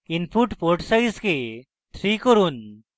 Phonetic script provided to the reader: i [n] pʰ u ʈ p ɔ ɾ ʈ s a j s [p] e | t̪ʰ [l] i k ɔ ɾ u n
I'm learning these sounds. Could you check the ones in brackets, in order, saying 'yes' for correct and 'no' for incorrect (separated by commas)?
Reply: yes, no, no